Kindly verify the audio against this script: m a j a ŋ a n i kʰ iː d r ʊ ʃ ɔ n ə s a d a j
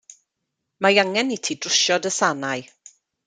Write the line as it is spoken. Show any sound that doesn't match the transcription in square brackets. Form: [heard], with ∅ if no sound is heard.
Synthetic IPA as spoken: m a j a ŋ [ɛ] n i [tʰ] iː d r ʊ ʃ ɔ [d] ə s a [n] a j